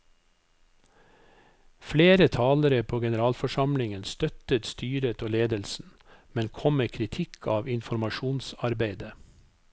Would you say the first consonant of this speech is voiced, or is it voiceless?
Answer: voiceless